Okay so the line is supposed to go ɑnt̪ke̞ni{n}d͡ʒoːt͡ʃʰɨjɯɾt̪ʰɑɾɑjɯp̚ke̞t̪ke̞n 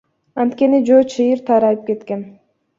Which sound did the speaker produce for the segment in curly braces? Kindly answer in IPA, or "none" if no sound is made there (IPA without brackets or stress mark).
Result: none